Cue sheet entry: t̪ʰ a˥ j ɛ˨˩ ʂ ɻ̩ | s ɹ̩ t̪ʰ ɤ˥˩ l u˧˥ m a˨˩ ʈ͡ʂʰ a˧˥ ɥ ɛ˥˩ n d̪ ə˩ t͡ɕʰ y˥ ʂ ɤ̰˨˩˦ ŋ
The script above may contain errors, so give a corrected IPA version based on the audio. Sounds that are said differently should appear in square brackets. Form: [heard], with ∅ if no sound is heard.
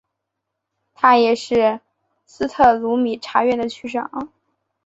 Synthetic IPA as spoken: t̪ʰ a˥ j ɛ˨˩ ʂ ɻ̩ | s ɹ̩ t̪ʰ ɤ˥˩ l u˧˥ m [i˨˩] ʈ͡ʂʰ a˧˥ ɥ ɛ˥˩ n d̪ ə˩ t͡ɕʰ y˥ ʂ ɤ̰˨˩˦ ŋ

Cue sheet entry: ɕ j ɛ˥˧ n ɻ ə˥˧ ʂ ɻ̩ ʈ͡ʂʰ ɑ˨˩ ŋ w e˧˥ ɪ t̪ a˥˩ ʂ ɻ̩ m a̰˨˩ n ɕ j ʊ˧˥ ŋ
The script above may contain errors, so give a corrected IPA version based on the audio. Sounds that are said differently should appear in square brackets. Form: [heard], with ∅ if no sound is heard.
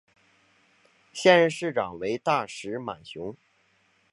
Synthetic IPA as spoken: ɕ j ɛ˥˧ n ɻ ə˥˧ ʂ ɻ̩ [ʈ͡ʂ] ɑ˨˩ ŋ w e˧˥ ɪ t̪ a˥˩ ʂ ɻ̩ m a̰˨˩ n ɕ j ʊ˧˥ ŋ

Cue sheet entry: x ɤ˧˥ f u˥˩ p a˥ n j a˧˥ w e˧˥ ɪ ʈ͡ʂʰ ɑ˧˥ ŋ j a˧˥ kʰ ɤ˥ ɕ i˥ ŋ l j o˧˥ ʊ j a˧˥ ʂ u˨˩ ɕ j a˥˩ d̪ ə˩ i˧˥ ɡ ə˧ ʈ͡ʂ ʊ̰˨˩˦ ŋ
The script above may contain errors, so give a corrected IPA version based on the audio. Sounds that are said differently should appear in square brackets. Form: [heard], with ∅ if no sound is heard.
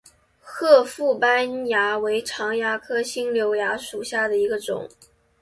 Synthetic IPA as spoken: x [ɤ˥˧] f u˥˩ p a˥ n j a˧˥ w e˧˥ ɪ ʈ͡ʂʰ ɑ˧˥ ŋ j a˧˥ kʰ ɤ˥ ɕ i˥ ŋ l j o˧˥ ʊ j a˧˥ ʂ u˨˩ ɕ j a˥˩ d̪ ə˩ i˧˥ ɡ ə˧ ʈ͡ʂ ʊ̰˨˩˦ ŋ

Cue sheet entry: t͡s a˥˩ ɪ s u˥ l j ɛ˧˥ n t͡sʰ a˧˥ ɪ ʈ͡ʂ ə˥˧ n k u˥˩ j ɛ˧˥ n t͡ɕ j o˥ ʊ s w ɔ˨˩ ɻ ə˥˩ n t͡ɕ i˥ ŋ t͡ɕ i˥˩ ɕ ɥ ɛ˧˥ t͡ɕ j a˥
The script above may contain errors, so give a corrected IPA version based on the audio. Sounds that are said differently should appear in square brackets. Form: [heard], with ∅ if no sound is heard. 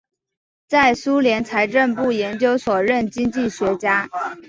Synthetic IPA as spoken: t͡s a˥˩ ɪ s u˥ l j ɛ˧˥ n t͡sʰ a˧˥ ɪ ʈ͡ʂ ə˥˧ n [p] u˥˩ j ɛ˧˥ n t͡ɕ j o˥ ʊ s w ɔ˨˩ ɻ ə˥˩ n t͡ɕ i˥ ŋ t͡ɕ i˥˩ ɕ ɥ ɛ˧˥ t͡ɕ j a˥

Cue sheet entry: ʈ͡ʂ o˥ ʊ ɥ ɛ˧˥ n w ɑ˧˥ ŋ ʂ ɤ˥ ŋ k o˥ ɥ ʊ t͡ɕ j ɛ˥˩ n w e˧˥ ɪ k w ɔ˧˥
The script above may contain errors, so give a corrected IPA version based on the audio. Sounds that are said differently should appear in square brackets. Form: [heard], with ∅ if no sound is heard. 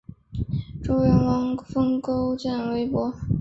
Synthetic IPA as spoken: ʈ͡ʂ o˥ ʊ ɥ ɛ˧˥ n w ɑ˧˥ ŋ [f] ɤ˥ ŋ k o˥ [∅] ʊ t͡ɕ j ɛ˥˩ n w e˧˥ ɪ [p] w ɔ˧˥

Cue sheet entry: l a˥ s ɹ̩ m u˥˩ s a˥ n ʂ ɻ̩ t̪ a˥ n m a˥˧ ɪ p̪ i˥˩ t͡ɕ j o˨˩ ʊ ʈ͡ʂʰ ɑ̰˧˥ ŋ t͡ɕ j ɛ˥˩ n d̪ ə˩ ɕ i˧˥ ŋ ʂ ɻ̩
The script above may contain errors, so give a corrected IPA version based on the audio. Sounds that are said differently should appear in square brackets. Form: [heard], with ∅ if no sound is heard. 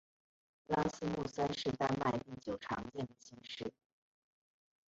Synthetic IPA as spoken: l a˥ s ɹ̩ m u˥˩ s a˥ n ʂ ɻ̩ t̪ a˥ n m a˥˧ ɪ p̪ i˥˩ t͡ɕ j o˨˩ ʊ ʈ͡ʂʰ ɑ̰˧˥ ŋ t͡ɕ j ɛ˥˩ n d̪ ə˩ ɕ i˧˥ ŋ ʂ ɻ̩

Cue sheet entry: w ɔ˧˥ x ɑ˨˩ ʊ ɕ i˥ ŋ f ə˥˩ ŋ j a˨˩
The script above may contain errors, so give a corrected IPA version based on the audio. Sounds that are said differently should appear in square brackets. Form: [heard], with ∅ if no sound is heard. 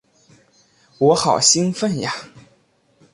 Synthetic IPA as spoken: w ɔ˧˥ x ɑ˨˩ ʊ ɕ i˥ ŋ f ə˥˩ [n] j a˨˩

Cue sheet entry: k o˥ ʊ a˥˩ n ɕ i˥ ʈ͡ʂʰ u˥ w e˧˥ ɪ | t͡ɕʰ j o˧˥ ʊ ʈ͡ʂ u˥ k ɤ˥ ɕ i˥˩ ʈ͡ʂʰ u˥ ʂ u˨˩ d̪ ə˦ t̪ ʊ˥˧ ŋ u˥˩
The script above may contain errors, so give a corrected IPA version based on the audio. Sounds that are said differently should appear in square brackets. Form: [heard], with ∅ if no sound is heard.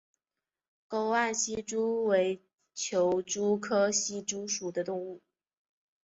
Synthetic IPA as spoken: k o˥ ʊ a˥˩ n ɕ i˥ [ʈ͡ʂ] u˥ w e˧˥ ɪ | t͡ɕʰ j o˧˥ ʊ ʈ͡ʂ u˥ [kʰ] ɤ˥ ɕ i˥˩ [ʈ͡ʂ] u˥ ʂ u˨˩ d̪ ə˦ t̪ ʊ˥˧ ŋ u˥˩

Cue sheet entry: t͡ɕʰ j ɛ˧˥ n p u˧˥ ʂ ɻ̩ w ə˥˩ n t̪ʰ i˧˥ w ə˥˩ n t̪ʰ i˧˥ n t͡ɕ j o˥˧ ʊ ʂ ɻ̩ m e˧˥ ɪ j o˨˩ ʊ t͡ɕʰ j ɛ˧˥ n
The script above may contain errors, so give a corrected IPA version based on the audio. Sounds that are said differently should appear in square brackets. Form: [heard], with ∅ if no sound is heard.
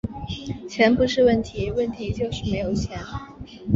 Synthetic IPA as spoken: t͡ɕʰ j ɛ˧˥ n p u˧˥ ʂ ɻ̩ w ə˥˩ n t̪ʰ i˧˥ w ə˥˩ n t̪ʰ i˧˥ [∅] t͡ɕ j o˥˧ ʊ ʂ ɻ̩ m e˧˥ ɪ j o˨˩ ʊ t͡ɕʰ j ɛ˧˥ n

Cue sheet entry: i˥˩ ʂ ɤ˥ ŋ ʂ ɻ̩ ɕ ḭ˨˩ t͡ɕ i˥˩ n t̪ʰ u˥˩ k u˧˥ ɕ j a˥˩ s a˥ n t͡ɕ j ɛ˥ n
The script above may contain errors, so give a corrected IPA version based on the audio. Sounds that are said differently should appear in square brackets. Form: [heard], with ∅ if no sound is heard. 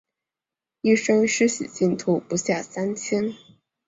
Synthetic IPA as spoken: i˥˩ ʂ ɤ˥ ŋ ʂ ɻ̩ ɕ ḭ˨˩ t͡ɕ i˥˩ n t̪ʰ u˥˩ [p] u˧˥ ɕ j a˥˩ s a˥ n [t͡ɕʰ] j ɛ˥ n

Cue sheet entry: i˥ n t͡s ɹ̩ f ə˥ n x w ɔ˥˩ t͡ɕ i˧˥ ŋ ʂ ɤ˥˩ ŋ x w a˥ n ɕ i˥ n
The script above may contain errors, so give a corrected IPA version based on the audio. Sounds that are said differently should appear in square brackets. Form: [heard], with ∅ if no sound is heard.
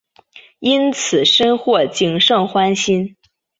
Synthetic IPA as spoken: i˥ n [t͡sʰ] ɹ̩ [ʂ] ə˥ n x w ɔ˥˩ t͡ɕ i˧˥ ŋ ʂ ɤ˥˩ ŋ x w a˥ n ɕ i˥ n

